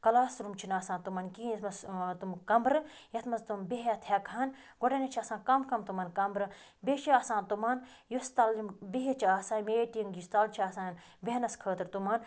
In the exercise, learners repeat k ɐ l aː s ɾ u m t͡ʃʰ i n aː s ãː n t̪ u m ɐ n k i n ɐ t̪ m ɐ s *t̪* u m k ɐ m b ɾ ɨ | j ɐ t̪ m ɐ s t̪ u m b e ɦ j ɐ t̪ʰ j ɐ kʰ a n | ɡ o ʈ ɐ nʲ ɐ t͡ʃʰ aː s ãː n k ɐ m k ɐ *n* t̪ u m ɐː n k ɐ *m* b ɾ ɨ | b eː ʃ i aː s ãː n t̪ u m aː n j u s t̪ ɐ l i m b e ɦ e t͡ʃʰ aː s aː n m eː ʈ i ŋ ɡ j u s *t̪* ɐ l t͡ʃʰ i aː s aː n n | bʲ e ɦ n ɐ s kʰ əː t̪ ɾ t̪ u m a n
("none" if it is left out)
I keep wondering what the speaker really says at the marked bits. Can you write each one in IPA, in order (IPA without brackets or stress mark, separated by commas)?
t̪, m, m, t̪